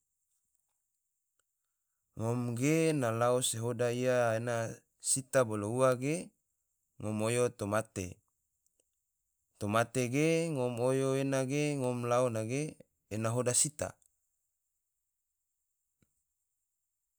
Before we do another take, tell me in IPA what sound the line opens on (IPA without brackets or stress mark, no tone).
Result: ŋ